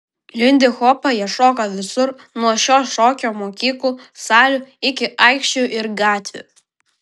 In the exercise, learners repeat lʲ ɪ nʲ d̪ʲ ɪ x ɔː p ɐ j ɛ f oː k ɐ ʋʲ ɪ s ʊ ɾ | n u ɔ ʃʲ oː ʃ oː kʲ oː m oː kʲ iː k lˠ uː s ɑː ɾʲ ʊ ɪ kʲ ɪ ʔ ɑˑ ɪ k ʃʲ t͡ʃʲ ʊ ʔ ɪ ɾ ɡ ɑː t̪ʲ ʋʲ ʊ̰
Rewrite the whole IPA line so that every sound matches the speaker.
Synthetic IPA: lʲ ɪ nʲ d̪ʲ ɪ x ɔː p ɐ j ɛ ʃ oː k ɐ ʋʲ ɪ s ʊ ɾ | n u ɔ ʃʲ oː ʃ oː kʲ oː m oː kʲ iː k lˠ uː s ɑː lʲ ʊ ɪ kʲ ɪ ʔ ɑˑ ɪ k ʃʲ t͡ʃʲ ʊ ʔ ɪ ɾ ɡ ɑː t̪ʲ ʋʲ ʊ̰